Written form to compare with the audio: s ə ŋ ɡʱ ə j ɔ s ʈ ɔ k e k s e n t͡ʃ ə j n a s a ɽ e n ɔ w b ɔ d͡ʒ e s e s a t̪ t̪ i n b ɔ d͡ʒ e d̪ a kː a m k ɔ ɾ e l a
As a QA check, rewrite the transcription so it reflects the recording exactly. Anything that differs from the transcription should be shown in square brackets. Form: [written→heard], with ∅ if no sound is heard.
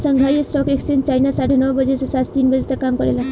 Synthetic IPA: s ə ŋ ɡʱ [ə→a] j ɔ s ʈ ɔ k e k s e n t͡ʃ [ə→a] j n a s a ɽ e n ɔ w b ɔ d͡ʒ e s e s a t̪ t̪ i n b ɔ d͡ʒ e [d̪→t̪] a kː a m k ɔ ɾ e l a